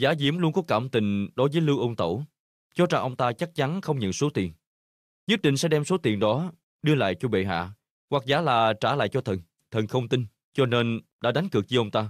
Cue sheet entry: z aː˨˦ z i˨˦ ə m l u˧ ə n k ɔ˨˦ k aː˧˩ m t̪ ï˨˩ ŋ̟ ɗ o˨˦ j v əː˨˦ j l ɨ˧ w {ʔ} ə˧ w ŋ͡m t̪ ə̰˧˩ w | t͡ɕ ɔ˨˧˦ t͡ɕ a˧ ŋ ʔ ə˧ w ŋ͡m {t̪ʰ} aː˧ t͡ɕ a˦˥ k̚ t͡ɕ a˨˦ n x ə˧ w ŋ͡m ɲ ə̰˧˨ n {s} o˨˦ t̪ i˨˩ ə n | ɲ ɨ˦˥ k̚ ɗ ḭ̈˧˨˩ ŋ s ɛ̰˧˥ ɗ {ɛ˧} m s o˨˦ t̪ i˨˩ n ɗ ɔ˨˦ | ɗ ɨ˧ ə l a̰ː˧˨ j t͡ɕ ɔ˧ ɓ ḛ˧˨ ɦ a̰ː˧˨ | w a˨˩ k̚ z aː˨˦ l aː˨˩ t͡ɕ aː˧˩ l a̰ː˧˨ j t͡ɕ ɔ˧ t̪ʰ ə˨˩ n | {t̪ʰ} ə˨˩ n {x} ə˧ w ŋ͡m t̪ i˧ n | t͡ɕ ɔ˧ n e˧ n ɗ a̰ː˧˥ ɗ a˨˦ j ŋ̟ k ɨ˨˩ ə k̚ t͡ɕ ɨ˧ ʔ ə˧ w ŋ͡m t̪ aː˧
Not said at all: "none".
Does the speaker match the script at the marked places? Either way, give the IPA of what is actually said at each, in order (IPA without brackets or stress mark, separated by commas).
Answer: ʔ, t̪, s, ɛ˧, t̪ʰ, x